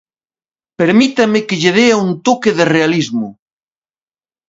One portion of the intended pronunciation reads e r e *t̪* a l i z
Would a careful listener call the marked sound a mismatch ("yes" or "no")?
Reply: yes